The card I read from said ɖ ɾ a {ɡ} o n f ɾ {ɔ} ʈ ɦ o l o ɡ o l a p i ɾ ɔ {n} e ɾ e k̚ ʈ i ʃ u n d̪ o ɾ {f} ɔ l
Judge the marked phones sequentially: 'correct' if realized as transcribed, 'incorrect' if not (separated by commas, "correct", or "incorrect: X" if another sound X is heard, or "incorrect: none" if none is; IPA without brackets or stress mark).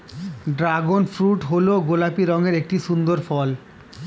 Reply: correct, incorrect: u, incorrect: ŋ, correct